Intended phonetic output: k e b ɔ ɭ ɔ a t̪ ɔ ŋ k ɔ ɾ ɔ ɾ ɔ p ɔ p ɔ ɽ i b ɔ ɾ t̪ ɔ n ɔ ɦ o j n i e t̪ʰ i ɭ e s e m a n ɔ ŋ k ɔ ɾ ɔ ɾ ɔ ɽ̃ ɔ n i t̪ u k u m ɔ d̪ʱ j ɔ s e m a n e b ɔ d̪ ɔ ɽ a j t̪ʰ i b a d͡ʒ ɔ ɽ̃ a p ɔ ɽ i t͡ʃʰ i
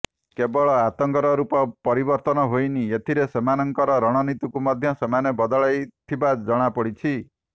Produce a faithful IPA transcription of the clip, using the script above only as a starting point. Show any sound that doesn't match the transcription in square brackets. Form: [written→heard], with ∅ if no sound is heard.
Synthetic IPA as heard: k e b ɔ ɭ ɔ a t̪ ɔ ŋ k ɔ ɾ ɔ ɾ [ɔ→u] p ɔ p ɔ [ɽ→ɾ] i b ɔ ɾ t̪ ɔ n ɔ ɦ o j n i e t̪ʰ i [ɭ→ɾ] e s e m a n ɔ ŋ k ɔ ɾ ɔ ɾ ɔ ɽ̃ ɔ n i t̪ u k u m ɔ d̪ʱ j ɔ s e m a n e b ɔ d̪ ɔ [ɽ→ɭ] a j t̪ʰ i b a d͡ʒ ɔ ɽ̃ a p ɔ ɽ i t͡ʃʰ i